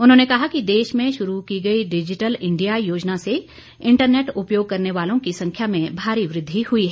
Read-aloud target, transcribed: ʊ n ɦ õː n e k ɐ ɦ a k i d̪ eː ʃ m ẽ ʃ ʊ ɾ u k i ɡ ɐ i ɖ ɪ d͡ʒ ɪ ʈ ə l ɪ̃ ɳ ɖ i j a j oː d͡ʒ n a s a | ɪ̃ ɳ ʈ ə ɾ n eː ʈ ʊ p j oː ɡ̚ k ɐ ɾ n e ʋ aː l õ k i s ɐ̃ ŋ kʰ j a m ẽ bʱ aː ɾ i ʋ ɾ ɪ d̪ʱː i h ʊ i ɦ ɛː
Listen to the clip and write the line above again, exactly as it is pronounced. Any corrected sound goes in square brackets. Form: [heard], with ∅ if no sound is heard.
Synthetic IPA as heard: ʊ n ɦ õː n e k ɐ ɦ a k i d̪ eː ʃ m ẽ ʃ ʊ ɾ u k i ɡ ɐ i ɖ ɪ d͡ʒ ɪ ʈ ə l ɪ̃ ɳ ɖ i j a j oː d͡ʒ n a s [e] | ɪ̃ ɳ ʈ ə ɾ n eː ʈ ʊ p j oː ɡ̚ k ɐ ɾ n e ʋ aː l õ k i s ɐ̃ ŋ kʰ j a m ẽ bʱ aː ɾ i ʋ ɾ ɪ d̪ʱː i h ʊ i ɦ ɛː